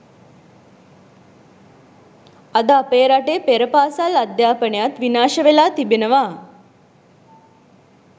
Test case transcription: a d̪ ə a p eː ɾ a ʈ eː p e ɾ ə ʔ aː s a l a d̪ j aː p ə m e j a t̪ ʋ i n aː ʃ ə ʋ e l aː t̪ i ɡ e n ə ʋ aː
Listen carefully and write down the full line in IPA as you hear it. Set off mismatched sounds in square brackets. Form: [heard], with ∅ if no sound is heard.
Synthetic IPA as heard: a d̪ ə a p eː ɾ a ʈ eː p e ɾ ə [p] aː s a l a d̪ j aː p ə [n] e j a t̪ ʋ i n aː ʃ ə ʋ e l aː t̪ i [b] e n ə ʋ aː